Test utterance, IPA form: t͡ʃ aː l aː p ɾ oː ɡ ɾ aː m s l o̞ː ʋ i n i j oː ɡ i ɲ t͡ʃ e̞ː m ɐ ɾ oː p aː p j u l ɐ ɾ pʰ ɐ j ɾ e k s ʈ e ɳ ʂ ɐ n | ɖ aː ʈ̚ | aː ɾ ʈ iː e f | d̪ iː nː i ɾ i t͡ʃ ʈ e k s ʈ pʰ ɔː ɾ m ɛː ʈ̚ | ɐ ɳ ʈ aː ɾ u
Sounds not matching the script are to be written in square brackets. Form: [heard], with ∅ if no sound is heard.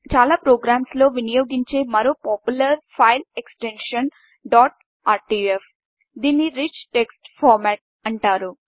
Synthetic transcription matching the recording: t͡ʃ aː l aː p ɾ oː ɡ ɾ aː m s l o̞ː ʋ i n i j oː ɡ i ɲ t͡ʃ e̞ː m ɐ ɾ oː p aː p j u l ɐ ɾ pʰ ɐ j [l] e k s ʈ e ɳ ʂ ɐ n | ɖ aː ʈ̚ | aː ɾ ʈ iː e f | d̪ iː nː i ɾ i t͡ʃ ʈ e k s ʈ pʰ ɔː ɾ m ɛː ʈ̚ | ɐ ɳ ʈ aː ɾ u